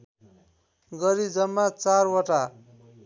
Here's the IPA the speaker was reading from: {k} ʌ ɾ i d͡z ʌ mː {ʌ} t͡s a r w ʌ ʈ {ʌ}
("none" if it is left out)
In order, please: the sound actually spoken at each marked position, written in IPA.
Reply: ɡ, a, a

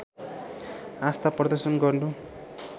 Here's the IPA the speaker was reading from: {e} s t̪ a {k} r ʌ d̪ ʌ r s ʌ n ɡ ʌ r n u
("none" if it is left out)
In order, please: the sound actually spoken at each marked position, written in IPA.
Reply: a, p

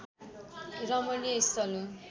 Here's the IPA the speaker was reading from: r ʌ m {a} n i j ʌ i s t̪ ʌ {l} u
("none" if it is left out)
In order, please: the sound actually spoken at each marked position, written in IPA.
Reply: ʌ, l

